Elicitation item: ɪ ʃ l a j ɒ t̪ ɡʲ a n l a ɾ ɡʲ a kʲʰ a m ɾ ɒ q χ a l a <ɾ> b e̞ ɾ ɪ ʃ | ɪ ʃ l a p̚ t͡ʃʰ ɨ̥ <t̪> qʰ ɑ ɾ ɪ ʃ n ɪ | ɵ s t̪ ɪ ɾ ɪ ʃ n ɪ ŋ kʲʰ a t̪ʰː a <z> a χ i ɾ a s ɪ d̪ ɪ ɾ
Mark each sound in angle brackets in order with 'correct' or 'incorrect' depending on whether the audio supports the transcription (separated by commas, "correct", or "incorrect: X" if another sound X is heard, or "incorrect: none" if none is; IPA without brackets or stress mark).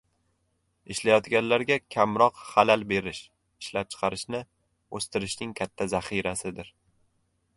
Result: incorrect: l, incorrect: none, correct